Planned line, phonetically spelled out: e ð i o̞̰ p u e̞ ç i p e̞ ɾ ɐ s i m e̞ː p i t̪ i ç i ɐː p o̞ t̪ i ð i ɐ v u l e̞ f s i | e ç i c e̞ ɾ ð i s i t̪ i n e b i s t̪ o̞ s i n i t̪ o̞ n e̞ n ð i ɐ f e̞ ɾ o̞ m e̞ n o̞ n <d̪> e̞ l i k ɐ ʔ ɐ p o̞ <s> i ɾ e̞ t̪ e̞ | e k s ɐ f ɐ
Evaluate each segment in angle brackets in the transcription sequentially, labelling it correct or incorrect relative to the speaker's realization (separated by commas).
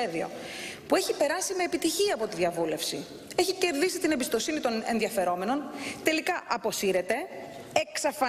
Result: incorrect, correct